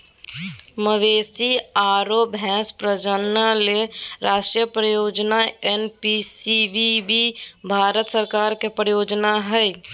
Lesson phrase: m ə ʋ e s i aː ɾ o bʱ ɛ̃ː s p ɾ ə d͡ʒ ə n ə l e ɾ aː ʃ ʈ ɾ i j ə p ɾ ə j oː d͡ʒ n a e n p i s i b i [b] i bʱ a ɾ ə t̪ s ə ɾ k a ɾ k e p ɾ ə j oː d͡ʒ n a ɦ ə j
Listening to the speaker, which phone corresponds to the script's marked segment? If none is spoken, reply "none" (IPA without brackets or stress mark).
b